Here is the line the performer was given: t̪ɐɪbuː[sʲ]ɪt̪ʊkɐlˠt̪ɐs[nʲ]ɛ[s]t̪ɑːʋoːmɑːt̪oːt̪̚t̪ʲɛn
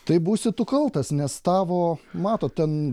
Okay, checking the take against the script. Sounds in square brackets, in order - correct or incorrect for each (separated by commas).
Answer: correct, correct, correct